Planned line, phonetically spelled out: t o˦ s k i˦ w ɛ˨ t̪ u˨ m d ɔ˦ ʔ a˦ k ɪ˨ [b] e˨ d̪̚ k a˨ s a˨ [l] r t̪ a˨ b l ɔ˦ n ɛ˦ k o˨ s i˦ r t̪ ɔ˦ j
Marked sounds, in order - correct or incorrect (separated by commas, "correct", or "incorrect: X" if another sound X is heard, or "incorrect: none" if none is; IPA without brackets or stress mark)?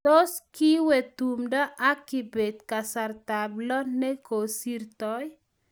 correct, incorrect: none